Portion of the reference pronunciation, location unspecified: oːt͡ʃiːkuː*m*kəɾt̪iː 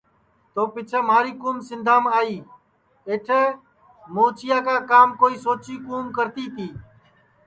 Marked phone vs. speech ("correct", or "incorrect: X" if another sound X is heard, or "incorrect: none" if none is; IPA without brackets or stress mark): correct